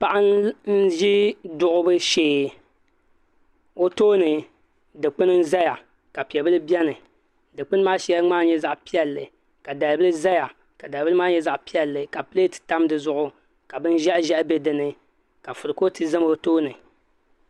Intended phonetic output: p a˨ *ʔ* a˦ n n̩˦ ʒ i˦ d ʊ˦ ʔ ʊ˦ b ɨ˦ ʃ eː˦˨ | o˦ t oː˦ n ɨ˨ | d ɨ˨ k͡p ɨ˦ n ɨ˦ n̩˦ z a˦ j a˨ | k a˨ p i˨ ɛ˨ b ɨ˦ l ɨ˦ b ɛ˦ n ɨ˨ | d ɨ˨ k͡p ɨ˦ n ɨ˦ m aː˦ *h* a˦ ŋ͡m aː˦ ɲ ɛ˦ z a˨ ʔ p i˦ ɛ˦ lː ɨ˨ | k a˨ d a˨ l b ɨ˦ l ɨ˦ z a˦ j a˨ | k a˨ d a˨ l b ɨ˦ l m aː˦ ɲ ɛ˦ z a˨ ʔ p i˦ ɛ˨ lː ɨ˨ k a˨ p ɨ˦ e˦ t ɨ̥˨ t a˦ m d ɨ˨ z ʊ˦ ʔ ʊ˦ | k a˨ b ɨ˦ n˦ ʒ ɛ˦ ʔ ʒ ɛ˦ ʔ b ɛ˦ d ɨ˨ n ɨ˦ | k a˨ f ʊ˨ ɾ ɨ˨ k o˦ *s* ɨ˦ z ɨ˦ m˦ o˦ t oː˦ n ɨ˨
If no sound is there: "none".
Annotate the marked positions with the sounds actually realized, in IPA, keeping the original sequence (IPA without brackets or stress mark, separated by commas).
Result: ʔ, ʃ, t